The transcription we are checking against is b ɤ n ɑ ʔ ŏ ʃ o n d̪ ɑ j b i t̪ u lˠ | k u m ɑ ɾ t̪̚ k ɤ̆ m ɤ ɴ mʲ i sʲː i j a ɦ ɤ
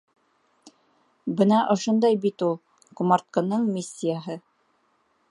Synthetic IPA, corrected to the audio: b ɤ n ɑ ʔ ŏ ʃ o n d̪ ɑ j b i t̪ u lˠ | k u m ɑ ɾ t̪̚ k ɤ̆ n ɤ ɴ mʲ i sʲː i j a ɦ ɤ